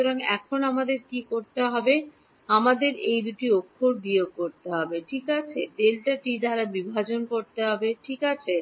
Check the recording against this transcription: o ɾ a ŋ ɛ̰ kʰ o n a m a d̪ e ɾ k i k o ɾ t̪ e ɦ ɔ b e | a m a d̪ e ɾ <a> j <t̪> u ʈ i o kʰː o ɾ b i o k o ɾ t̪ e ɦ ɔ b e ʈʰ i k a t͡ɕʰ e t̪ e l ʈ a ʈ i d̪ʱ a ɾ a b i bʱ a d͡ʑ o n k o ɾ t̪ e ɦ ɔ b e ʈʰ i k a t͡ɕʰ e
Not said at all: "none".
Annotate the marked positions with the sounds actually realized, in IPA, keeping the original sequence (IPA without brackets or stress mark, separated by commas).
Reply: e, d̪